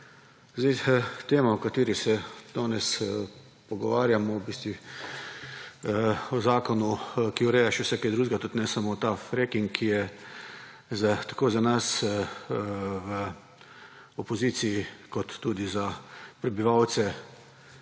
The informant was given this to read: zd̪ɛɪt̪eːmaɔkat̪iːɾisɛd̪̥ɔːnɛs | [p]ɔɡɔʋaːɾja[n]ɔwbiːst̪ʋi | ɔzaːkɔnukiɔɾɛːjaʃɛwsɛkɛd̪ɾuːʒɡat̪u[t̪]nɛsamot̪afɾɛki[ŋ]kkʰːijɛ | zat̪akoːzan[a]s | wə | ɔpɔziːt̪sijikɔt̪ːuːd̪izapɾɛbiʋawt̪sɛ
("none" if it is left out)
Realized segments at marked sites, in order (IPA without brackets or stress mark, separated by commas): p, m, t̪, ŋ, a